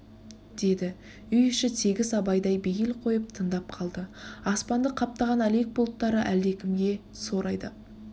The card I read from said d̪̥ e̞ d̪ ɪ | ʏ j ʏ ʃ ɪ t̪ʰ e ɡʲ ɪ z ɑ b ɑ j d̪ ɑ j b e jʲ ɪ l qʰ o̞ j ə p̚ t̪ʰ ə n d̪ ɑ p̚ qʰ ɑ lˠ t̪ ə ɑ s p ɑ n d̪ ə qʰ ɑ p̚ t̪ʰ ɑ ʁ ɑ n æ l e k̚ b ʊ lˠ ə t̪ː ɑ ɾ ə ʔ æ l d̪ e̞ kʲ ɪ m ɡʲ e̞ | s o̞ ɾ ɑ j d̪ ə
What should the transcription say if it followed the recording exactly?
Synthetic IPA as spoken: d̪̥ e̞ d̪ ɪ | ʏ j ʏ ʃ ɪ t̪ʰ e ɡʲ ɪ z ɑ b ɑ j d̪ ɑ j b e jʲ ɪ l qʰ o̞ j ə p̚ t̪ʰ ə n d̪ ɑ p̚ qʰ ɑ lˠ d̪ ə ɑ s p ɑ n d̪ ə qʰ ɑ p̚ t̪ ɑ ʁ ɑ n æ l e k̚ b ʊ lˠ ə t̪ː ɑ ɾ ə ʔ æ l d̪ e̞ kʲ ɪ m ɡʲ e̞ | s o̞ ɾ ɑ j d̪ ə